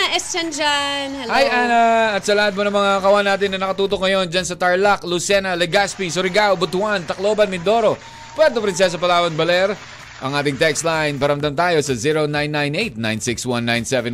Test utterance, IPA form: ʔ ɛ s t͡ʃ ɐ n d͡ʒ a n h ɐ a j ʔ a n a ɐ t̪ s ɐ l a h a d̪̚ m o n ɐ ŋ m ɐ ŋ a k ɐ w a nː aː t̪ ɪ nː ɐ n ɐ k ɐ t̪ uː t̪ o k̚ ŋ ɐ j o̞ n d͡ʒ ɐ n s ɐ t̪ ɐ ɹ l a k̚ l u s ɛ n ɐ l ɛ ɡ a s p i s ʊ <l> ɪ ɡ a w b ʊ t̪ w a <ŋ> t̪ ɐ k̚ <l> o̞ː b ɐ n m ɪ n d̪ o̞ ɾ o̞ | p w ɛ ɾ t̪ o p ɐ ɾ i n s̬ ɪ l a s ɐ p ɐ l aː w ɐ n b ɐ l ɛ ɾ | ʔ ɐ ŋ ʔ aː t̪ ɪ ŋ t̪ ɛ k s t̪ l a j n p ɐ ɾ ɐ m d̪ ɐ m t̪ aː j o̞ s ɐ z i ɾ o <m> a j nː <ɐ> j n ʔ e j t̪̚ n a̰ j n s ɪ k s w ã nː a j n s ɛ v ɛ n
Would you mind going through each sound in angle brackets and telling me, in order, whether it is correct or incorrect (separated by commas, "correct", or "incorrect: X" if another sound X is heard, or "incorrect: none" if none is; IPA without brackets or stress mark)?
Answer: incorrect: ɾ, incorrect: n, correct, incorrect: n, incorrect: a